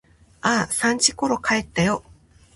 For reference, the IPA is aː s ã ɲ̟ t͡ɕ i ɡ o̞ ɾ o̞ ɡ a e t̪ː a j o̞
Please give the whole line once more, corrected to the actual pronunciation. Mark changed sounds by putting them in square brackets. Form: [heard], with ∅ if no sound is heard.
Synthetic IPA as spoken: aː s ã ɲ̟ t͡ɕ i [k] o̞ ɾ o̞ [k] a e t̪ː a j o̞